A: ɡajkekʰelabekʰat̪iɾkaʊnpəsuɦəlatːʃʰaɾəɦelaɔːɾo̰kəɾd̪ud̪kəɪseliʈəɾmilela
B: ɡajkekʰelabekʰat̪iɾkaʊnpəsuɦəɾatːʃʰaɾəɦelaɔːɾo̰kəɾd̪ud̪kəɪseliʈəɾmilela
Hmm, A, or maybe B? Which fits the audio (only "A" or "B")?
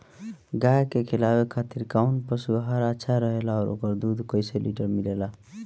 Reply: B